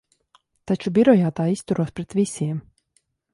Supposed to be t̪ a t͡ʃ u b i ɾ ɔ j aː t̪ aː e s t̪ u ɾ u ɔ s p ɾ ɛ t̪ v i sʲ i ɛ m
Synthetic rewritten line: t̪ a t͡ʃ u b i ɾ ɔ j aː t̪ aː i s t̪ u ɾ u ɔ s p ɾ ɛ t̪ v i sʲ i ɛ m